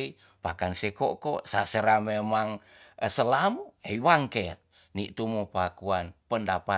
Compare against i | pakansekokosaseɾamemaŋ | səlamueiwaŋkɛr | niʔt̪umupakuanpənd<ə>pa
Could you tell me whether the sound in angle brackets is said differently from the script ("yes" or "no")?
yes